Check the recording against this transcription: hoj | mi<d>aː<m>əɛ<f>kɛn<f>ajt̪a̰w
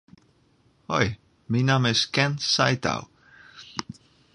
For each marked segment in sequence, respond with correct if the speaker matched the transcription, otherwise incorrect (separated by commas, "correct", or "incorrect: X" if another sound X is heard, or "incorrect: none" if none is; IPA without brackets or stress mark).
incorrect: n, correct, incorrect: s, incorrect: s